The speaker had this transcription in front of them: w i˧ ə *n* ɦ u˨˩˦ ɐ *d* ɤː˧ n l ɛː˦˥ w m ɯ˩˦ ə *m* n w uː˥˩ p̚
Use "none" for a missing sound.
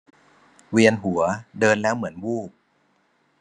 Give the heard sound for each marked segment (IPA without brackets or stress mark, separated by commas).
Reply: n, d, none